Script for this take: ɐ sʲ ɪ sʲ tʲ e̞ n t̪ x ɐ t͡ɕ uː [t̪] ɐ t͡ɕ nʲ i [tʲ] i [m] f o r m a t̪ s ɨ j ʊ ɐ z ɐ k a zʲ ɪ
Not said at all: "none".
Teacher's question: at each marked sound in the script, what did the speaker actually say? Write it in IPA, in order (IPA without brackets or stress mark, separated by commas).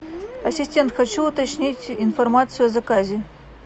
t̪, tʲ, n